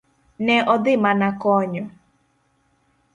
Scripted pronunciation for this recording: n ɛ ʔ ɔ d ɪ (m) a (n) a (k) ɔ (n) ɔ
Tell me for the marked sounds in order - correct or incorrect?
correct, correct, correct, incorrect: ɲ

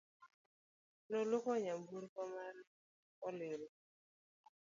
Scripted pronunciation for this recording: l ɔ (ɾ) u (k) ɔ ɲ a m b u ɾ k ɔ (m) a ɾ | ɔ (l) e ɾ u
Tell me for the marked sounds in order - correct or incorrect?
incorrect: l, correct, correct, correct

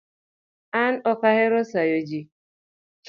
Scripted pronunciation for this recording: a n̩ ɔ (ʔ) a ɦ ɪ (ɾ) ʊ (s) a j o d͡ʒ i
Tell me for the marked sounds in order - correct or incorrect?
incorrect: k, correct, correct

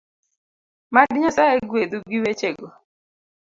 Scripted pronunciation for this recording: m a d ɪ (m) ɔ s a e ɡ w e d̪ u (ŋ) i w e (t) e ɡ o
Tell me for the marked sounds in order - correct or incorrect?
incorrect: ɲ, incorrect: ɡ, incorrect: t͡ʃ

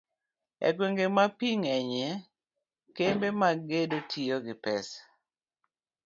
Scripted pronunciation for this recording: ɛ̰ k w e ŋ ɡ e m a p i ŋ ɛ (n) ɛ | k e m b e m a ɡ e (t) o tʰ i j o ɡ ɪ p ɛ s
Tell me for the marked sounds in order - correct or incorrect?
incorrect: ɲ, incorrect: d

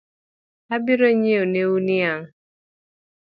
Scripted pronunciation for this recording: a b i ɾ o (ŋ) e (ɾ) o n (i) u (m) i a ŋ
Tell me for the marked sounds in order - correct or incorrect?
incorrect: ɲ, incorrect: none, incorrect: e, incorrect: n

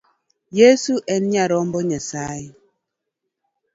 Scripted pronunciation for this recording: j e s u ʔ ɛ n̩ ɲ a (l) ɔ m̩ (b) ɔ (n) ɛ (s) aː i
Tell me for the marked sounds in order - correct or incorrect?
incorrect: ɾ, correct, incorrect: ɲ, correct

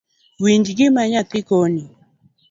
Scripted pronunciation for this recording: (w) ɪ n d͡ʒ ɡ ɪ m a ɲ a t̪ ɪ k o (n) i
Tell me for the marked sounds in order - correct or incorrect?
correct, correct

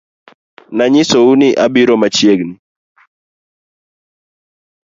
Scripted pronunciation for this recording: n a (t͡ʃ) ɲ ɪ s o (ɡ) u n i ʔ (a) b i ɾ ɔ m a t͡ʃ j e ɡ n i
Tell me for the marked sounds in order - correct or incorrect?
incorrect: none, incorrect: none, correct

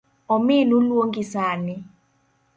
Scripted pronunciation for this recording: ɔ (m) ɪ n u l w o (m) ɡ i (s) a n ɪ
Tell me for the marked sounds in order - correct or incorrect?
correct, incorrect: ŋ, correct

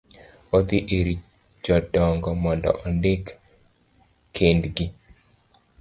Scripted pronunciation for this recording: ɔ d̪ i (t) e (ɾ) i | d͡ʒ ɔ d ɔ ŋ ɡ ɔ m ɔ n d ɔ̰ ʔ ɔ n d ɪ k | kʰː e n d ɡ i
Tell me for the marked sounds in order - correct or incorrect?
incorrect: ʔ, correct

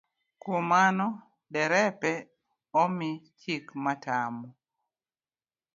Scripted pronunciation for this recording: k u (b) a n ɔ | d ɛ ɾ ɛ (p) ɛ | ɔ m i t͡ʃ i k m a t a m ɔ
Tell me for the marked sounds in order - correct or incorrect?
incorrect: m, correct

